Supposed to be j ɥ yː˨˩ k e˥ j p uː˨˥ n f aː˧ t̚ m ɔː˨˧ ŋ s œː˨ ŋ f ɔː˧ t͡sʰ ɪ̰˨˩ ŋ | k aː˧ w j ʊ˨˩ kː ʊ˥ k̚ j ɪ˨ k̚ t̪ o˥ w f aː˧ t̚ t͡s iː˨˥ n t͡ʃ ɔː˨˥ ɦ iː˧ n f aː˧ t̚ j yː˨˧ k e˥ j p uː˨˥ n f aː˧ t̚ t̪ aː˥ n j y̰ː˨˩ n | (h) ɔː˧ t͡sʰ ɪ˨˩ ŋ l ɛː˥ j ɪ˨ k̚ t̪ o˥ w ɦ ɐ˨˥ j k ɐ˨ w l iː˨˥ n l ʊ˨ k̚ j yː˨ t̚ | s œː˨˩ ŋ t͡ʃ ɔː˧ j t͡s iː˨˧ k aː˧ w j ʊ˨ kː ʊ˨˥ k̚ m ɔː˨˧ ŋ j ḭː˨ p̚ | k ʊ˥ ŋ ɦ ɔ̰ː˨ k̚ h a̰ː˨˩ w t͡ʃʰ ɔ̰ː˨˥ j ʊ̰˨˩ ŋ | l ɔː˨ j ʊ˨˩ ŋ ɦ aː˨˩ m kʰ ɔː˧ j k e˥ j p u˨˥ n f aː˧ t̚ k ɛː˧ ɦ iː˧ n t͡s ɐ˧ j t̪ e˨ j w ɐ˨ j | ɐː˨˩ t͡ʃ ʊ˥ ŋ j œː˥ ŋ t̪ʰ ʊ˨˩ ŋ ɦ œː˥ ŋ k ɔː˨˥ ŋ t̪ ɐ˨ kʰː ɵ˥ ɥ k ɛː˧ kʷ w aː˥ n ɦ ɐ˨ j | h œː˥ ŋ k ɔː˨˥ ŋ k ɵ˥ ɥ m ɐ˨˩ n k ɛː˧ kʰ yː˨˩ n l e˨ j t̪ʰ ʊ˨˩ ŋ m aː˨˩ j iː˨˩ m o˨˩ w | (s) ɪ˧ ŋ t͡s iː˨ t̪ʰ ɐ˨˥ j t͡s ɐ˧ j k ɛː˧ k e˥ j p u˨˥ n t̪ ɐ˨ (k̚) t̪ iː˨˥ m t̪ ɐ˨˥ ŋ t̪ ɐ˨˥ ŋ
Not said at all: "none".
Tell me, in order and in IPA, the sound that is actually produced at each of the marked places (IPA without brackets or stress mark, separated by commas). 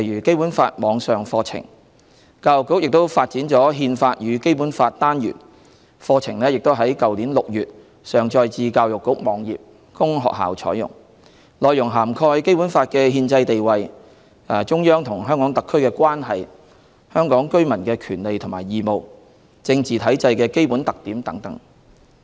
f, t͡s, k̚